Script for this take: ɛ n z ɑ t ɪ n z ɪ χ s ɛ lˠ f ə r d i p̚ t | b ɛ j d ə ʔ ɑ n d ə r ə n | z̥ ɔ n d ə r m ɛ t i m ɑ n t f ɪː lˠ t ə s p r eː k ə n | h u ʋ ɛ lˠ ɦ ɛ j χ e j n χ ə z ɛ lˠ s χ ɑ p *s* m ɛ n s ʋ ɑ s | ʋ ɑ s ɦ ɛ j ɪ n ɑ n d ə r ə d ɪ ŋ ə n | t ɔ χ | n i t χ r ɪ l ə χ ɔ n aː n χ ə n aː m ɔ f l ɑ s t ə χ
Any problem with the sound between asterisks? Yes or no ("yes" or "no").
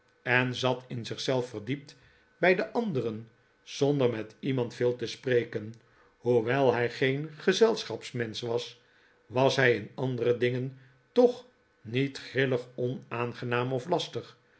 no